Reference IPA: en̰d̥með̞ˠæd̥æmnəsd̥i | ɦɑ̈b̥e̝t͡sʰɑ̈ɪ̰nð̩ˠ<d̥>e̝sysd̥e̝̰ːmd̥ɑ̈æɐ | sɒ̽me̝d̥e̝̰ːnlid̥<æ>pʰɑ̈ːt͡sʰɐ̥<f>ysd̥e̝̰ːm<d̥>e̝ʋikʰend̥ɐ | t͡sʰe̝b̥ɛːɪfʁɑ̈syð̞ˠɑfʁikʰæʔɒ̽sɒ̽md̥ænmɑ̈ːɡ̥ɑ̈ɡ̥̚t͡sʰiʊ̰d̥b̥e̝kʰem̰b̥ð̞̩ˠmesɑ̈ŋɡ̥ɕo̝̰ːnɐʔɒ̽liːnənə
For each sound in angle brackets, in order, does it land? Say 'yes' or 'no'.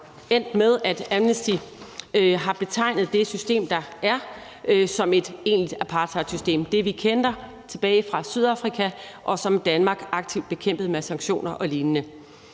yes, yes, no, yes

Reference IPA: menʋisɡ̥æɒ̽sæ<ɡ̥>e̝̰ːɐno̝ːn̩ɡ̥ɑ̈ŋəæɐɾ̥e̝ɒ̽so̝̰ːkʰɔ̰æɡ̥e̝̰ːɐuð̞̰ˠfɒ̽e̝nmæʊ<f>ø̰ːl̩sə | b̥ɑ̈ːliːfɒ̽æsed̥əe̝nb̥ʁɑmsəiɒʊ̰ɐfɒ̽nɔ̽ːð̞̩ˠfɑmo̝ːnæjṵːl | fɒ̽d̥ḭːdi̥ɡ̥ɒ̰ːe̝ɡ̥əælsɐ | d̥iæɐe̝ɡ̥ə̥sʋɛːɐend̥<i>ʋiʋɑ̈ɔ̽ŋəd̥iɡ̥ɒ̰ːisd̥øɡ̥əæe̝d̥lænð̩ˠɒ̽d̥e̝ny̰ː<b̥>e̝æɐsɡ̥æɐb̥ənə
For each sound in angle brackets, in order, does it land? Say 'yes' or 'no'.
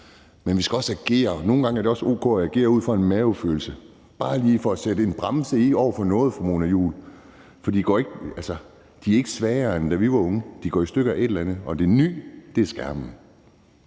yes, yes, no, no

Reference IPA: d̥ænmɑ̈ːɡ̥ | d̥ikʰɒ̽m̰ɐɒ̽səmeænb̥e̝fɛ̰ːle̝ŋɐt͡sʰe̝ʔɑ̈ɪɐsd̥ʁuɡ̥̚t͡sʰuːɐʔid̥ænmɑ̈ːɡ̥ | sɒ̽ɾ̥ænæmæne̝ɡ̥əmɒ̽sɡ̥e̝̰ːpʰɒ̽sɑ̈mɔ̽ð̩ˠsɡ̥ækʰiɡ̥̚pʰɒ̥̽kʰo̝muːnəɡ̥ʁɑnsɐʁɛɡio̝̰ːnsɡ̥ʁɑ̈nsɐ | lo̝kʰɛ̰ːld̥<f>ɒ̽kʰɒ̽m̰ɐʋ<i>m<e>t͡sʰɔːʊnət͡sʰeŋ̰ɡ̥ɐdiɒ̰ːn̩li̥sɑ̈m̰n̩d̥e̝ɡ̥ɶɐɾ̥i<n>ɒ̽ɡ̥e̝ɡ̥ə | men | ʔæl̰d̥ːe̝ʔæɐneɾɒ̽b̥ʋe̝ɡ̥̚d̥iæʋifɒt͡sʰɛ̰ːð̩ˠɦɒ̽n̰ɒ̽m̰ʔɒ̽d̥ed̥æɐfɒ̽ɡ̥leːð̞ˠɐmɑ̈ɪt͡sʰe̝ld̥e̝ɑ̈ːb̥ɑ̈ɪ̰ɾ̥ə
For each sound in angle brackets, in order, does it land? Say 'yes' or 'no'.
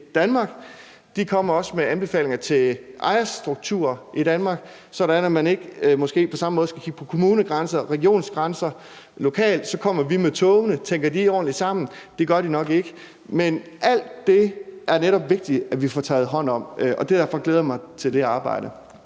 no, yes, yes, yes

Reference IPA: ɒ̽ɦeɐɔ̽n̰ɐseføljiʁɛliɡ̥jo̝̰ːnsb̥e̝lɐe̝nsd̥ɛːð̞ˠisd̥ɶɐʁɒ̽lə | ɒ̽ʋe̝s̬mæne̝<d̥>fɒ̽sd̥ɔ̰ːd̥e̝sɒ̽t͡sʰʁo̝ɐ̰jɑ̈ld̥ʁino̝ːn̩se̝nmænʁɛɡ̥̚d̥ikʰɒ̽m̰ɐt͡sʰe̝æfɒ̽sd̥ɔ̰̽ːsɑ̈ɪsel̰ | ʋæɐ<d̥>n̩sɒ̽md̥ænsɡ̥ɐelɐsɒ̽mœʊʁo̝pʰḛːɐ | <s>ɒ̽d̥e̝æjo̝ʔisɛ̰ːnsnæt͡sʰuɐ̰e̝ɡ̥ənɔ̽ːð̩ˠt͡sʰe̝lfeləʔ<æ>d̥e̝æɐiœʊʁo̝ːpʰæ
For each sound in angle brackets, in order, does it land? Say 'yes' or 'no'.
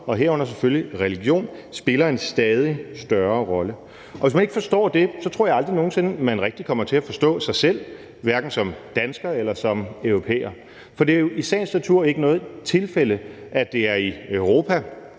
no, no, no, yes

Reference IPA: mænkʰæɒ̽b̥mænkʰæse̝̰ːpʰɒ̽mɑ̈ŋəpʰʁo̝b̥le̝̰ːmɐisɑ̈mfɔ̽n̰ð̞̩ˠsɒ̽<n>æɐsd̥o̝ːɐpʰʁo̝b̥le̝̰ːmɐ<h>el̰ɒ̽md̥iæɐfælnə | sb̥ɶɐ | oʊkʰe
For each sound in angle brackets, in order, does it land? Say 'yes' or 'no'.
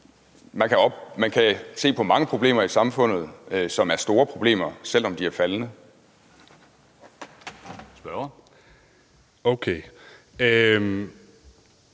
no, no

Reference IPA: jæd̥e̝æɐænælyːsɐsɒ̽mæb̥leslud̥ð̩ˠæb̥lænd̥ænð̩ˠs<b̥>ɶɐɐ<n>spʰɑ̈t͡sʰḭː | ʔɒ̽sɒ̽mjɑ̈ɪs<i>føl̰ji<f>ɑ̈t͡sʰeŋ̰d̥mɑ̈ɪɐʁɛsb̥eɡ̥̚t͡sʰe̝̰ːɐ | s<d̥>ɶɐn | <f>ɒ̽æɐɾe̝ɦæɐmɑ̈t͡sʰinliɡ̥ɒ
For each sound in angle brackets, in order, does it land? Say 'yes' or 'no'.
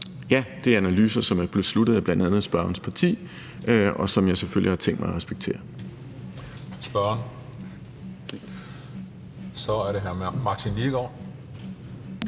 yes, yes, no, no, no, no

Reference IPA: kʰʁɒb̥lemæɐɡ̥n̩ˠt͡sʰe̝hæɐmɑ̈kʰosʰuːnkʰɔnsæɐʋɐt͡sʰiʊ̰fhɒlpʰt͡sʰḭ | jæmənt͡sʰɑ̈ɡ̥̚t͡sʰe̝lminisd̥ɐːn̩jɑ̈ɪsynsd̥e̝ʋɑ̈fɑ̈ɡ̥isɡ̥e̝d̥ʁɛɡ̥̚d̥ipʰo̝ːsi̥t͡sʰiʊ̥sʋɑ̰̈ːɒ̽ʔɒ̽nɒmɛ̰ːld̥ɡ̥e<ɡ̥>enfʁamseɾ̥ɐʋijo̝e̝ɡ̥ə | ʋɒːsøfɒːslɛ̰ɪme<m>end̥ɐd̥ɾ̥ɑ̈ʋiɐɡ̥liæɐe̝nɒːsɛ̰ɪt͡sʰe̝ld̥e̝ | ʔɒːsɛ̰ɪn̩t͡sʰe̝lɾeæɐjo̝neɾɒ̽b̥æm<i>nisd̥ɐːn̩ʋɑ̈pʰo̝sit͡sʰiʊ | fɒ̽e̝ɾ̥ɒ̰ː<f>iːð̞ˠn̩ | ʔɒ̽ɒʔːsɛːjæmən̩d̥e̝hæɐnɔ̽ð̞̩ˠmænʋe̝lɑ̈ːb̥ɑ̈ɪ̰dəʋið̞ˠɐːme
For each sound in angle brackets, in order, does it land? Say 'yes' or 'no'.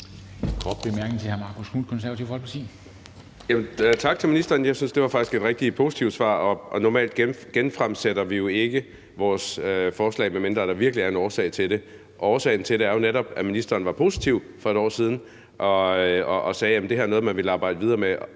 yes, yes, yes, no

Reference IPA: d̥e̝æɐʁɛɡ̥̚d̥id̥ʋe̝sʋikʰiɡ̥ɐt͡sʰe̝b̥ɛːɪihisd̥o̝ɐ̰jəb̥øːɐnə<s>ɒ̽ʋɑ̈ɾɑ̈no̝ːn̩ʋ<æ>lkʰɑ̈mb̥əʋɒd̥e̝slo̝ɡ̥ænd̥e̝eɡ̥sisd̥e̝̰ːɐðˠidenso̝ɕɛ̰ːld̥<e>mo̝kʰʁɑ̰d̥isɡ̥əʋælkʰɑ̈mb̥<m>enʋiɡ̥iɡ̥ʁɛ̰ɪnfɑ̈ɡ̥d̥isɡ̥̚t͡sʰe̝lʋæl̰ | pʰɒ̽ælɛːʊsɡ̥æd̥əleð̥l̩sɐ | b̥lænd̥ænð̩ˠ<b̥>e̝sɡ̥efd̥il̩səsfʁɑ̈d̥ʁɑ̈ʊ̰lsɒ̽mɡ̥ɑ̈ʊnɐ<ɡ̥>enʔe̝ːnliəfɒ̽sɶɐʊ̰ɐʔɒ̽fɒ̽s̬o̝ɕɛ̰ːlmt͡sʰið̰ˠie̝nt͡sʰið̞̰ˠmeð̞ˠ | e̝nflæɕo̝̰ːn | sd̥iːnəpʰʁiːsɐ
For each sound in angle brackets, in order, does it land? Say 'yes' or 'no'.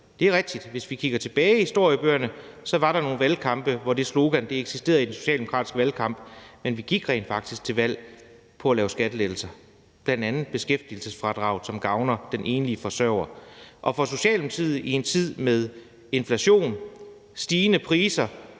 yes, yes, yes, yes, yes, no

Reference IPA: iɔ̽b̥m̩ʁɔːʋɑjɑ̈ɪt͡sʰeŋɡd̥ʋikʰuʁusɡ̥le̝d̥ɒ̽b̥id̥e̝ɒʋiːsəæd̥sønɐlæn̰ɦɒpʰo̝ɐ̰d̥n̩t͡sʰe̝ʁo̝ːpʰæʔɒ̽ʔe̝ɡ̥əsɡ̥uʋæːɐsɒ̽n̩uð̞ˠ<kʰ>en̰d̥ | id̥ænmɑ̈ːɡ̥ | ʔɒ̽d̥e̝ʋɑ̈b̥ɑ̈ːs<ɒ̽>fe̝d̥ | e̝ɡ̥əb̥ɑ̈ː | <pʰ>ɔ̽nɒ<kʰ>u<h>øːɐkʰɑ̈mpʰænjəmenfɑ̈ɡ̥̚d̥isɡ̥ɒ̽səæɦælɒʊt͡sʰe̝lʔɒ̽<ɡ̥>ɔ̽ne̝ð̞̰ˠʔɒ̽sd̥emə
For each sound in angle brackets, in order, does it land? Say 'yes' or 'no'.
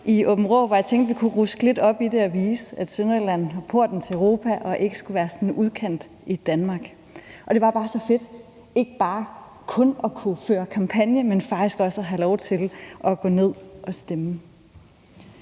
yes, yes, no, yes, no, yes

